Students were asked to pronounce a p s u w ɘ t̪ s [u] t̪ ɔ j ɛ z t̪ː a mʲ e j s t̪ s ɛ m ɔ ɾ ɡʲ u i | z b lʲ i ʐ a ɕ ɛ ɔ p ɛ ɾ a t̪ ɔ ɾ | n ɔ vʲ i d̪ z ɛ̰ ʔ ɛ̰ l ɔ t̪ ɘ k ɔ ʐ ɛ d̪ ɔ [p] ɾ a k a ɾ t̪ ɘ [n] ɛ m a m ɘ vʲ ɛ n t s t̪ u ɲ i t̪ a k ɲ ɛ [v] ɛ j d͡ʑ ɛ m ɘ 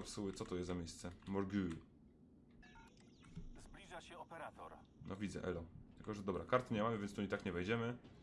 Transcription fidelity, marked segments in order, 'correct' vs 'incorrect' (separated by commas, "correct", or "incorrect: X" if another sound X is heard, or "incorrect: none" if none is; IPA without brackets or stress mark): incorrect: ɔ, incorrect: b, incorrect: ɲ, correct